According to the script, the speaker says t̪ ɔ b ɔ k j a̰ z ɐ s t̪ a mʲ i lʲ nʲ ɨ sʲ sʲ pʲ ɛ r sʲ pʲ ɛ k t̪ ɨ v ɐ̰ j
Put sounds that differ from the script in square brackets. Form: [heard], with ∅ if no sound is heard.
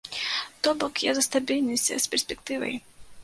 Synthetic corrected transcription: t̪ ɔ b ɔ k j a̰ z ɐ s t̪ a [bʲ] i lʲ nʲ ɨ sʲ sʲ pʲ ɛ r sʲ pʲ ɛ k t̪ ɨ v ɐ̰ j